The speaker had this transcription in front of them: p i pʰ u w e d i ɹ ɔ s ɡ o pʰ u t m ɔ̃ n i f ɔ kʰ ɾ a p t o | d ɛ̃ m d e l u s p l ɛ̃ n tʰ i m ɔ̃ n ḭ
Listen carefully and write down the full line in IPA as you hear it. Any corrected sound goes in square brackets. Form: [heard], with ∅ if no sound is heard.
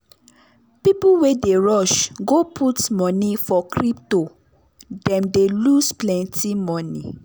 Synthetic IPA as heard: p i [p] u w e d [e] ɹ ɔ [ʃ] ɡ o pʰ u t m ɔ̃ n i f ɔ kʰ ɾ [i] p t o | d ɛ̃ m d e l u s p l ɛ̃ n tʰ i m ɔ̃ n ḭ